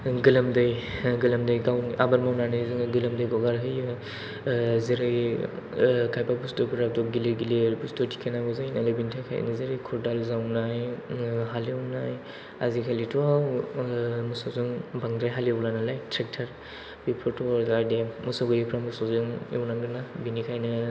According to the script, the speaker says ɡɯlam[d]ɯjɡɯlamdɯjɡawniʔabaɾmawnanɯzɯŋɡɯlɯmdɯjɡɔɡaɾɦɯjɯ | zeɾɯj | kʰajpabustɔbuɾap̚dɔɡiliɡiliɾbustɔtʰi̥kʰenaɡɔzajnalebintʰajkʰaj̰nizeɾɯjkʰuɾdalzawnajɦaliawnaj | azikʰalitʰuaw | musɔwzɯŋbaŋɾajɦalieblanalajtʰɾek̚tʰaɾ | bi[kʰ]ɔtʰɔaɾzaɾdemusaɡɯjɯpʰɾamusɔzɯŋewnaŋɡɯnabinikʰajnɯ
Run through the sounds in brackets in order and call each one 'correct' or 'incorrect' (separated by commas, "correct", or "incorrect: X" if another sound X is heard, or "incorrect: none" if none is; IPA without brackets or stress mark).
correct, incorrect: pʰ